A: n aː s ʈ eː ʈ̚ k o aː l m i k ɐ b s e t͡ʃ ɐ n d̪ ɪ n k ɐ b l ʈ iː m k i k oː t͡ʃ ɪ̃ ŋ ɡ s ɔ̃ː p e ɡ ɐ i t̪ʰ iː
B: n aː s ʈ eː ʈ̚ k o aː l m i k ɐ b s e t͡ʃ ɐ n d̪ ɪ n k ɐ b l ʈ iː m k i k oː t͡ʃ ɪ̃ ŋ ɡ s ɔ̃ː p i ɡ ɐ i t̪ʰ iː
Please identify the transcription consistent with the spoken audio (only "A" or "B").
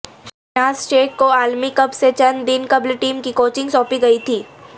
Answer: B